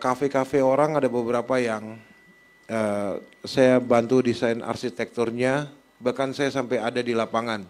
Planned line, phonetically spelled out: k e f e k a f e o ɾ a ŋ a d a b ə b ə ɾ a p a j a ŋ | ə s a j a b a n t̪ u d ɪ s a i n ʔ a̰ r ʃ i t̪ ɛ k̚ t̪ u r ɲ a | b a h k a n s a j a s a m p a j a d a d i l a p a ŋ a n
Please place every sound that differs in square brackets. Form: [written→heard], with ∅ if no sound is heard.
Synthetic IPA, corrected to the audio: k [e→a] f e k a f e o ɾ a ŋ a d a b ə b ə ɾ a p a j a ŋ | ə s a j a b a n t̪ u d [ɪ→i] s a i n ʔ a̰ r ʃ i t̪ ɛ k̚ t̪ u r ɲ a | b a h k a n s a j a s a m p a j a d a d i l a p a ŋ a n